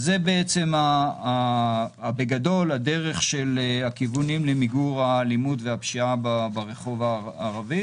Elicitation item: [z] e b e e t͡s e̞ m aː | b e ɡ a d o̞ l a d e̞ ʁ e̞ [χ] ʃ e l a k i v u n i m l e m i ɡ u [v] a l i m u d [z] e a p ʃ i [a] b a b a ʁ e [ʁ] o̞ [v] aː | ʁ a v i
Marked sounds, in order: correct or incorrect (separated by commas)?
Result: correct, correct, incorrect, incorrect, correct, incorrect, correct